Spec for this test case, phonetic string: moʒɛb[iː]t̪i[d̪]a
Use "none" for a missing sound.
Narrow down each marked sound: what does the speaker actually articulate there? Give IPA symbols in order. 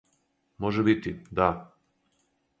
i, d̪

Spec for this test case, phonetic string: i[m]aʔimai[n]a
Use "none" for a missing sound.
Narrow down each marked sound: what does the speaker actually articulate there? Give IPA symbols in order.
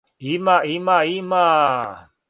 m, m

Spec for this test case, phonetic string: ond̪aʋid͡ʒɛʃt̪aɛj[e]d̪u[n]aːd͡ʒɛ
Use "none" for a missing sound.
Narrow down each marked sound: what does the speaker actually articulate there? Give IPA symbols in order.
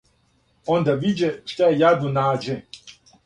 a, n

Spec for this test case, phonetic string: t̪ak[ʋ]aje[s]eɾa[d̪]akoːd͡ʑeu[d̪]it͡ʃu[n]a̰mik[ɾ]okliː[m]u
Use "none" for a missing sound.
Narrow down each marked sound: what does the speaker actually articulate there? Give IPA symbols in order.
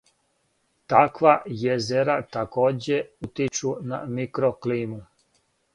ʋ, z, t̪, t̪, n, ɾ, m

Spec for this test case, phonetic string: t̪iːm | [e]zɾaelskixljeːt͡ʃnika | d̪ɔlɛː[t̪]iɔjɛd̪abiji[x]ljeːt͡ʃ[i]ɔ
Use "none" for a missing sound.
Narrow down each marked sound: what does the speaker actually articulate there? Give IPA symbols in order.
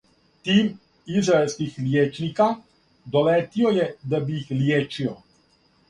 i, t̪, x, i

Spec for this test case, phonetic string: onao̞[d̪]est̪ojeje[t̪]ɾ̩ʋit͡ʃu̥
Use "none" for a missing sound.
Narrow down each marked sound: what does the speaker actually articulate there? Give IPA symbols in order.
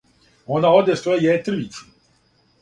d̪, t̪

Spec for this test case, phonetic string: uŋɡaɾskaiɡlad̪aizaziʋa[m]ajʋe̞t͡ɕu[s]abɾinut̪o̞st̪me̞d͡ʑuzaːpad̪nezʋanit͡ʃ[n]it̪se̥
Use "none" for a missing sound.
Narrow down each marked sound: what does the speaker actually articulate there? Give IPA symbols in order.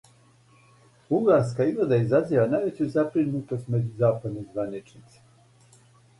n, z, n

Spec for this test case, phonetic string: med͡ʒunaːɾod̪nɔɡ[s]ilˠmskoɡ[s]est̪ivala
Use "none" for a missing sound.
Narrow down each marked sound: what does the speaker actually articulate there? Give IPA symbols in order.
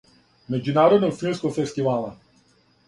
f, f

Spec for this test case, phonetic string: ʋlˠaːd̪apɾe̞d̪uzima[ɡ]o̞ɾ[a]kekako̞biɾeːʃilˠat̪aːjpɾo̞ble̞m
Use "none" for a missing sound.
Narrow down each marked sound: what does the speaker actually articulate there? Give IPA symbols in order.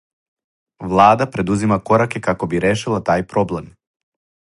k, a

